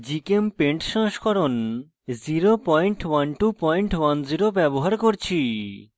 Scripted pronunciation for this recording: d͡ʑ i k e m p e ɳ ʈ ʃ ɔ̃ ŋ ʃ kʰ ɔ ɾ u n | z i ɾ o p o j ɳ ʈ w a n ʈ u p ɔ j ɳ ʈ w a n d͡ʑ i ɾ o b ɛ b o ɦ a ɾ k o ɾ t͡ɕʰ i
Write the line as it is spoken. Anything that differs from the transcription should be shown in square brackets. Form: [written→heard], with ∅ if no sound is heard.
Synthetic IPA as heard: d͡ʑ i k e m p e ɳ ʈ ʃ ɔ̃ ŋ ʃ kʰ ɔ ɾ [u→o] n | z i ɾ o p [o→ɔ] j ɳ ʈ w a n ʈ u p ɔ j ɳ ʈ w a n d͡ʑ i ɾ o b ɛ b o ɦ a ɾ k o ɾ t͡ɕʰ i